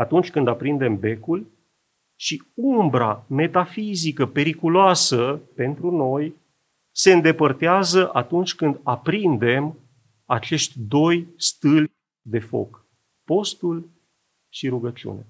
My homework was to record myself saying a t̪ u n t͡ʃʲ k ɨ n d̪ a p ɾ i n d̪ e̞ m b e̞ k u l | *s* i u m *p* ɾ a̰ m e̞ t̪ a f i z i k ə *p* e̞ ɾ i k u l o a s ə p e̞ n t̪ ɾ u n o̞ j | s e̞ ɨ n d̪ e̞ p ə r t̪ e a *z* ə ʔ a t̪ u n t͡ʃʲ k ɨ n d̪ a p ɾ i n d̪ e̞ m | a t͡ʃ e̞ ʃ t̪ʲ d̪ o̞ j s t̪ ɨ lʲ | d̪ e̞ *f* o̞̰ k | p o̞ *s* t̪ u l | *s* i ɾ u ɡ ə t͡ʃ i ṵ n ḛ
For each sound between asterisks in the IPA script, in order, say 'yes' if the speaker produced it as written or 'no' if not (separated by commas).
no, no, yes, yes, yes, yes, no